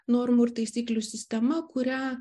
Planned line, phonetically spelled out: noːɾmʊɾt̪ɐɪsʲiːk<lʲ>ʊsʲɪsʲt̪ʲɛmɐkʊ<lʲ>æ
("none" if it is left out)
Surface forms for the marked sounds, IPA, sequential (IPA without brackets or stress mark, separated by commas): lʲ, ɾʲ